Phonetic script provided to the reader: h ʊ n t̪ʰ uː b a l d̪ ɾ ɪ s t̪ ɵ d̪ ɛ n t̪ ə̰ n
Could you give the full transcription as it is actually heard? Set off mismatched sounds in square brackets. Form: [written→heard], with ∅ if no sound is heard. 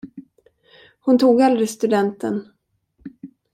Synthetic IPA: h ʊ n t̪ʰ uː [b→ɡ] a l d̪ ɾ ɪ s t̪ ɵ d̪ ɛ n t̪ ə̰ n